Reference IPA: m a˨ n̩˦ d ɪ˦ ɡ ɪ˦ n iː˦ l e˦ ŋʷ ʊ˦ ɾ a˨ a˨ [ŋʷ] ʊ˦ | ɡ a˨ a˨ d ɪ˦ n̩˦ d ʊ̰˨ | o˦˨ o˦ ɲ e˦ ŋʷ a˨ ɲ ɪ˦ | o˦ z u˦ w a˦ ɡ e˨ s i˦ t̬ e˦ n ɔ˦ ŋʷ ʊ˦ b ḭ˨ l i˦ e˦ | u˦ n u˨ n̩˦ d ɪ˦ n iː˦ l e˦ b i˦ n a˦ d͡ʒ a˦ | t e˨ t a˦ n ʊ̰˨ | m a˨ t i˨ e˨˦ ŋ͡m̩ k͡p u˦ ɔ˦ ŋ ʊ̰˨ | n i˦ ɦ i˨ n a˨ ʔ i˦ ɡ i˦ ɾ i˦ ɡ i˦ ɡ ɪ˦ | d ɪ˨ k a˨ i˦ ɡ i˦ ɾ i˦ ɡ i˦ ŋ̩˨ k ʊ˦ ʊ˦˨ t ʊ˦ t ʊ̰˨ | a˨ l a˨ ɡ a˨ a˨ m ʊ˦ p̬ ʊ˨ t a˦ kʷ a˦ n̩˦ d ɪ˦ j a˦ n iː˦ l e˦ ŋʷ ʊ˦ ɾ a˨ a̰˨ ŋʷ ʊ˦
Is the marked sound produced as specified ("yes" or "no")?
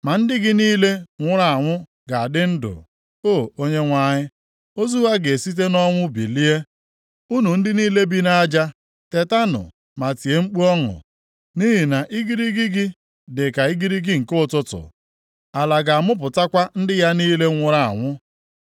yes